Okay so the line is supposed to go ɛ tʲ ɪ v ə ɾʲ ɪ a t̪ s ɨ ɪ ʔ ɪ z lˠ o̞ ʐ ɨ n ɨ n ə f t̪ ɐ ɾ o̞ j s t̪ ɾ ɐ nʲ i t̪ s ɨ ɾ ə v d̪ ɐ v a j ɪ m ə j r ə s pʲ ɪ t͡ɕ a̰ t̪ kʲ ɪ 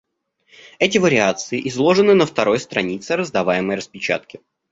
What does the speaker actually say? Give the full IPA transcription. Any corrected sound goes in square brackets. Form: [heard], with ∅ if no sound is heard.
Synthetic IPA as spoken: ɛ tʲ ɪ v ə ɾʲ ɪ a t̪ s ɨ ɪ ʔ ɪ z lˠ o̞ ʐ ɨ n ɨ n ə f t̪ ɐ ɾ o̞ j s t̪ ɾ ɐ nʲ i t̪ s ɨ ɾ ə [z] d̪ ɐ v a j ɪ m ə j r ə s pʲ ɪ t͡ɕ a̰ t̪ kʲ ɪ